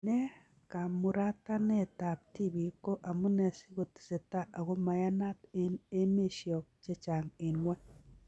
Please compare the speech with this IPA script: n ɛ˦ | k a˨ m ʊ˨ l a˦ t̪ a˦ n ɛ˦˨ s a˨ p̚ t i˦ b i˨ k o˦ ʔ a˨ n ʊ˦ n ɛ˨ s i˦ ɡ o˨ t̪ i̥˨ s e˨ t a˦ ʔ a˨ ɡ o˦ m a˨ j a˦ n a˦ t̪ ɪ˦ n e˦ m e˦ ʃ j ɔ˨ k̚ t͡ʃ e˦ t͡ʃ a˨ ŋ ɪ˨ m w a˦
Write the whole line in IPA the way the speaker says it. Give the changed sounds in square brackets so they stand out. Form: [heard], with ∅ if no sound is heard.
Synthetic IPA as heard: n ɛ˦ | k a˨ m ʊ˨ [ɾ] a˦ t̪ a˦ n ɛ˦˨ [t] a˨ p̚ t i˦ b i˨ k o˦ ʔ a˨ [m] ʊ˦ n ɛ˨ s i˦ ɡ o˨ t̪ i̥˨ s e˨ t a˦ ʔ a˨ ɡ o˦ m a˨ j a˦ n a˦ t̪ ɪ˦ n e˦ m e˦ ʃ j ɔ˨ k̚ t͡ʃ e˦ t͡ʃ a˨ ŋ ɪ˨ [n] w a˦

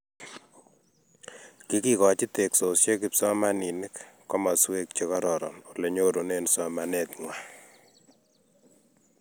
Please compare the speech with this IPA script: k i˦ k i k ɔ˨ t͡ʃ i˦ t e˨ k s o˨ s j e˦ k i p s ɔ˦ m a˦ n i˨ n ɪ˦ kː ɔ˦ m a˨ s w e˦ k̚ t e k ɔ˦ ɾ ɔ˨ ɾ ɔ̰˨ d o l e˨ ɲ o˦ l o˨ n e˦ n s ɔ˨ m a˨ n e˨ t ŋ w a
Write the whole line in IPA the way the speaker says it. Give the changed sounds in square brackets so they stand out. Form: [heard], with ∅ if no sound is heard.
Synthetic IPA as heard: k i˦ k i k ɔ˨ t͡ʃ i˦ t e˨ k s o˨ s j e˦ k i p s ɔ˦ m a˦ n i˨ n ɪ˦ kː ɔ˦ m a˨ s w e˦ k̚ [t͡ʃ] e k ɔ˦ ɾ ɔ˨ ɾ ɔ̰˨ [n] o l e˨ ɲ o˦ [ɾ] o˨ n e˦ n s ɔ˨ m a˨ n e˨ t ŋ w a

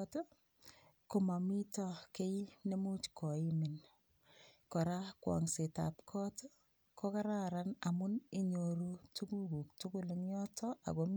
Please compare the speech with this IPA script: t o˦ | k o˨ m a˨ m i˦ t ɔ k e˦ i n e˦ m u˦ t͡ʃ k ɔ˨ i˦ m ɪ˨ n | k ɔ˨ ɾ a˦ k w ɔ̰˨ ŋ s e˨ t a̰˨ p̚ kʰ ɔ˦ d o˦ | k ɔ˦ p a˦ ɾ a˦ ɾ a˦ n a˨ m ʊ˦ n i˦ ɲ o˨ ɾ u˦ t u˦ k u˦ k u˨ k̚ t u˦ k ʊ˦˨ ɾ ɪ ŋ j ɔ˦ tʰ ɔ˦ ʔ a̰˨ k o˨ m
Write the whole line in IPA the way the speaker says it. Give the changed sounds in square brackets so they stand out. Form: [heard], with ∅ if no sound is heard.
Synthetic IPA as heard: t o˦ | k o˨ m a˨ m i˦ t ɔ k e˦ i n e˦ m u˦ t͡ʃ k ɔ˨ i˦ m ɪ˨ n | k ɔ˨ ɾ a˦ k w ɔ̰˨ ŋ s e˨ t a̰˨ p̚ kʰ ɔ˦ [t] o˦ | k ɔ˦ [k] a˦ ɾ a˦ ɾ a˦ n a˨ m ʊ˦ n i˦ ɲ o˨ ɾ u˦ t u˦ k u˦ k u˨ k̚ t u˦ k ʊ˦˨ [l] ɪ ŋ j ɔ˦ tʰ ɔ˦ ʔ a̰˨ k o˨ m

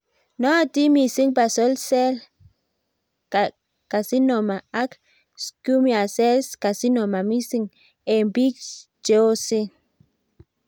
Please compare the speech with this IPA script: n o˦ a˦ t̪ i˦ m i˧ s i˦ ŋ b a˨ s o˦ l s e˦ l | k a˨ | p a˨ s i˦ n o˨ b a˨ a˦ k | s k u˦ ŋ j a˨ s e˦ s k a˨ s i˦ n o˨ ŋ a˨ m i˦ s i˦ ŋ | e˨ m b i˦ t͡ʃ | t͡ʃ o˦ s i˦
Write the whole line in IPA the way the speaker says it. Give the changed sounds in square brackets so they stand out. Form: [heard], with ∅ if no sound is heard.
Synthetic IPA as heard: n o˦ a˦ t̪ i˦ m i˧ s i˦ ŋ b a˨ s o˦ l s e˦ l | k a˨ | [k] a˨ s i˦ n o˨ [m] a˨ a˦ k | s k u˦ [m] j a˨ s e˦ s k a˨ s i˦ n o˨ [m] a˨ m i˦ s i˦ ŋ | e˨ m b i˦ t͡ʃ | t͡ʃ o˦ s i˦

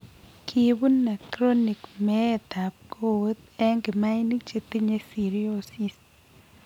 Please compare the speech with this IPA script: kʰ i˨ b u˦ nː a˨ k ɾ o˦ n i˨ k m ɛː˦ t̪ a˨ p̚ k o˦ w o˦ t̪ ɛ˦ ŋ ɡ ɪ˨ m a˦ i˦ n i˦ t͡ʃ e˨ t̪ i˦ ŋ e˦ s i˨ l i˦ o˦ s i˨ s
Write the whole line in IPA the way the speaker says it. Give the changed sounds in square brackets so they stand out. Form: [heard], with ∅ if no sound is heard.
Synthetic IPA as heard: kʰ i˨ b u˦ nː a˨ k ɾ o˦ n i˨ k m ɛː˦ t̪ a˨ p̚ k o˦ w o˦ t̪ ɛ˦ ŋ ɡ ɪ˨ m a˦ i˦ n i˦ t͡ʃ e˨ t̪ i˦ [ɲ] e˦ s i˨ [ɾ] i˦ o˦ s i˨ s

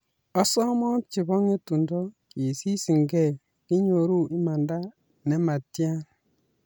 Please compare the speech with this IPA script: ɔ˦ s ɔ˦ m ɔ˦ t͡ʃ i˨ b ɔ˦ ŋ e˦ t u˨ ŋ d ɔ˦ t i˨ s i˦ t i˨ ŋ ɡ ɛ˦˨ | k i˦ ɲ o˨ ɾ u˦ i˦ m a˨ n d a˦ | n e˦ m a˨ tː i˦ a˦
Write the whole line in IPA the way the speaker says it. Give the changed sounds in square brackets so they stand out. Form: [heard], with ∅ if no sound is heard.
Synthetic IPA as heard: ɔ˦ s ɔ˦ m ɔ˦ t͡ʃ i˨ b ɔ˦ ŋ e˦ t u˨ [n] d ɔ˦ [k] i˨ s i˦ [s] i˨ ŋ ɡ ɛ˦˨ | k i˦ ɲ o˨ ɾ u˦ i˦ m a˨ n d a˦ | n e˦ m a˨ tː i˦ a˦

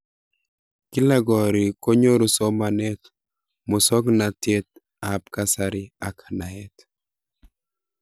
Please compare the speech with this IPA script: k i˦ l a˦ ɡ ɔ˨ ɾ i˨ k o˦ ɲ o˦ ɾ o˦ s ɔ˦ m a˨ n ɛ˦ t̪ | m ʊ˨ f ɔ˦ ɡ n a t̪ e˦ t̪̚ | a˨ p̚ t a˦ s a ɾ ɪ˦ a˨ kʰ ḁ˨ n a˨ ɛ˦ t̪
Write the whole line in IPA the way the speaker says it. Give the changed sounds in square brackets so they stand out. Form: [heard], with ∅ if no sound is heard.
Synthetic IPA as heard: k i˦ l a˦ ɡ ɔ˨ ɾ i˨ k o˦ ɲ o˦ ɾ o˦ s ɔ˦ m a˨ n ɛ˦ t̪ | m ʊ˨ [s] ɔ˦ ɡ n a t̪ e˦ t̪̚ | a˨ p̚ [k] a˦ s a ɾ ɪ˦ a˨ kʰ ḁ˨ n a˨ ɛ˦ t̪

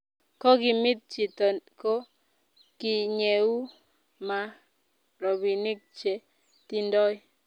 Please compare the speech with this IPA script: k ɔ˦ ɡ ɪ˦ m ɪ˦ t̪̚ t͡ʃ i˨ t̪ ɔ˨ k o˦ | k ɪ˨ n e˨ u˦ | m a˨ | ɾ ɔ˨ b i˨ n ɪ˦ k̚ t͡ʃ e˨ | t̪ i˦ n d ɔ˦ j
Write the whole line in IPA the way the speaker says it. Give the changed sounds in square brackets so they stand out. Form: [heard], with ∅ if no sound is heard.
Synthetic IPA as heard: k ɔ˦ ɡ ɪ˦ m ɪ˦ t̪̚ t͡ʃ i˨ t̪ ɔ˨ k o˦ | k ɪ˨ [ɲ] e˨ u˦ | m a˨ | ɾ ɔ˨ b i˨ n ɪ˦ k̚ t͡ʃ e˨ | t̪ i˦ n d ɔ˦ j

